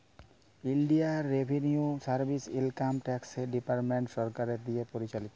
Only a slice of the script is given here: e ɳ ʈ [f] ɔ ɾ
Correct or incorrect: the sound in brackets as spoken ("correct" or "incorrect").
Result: incorrect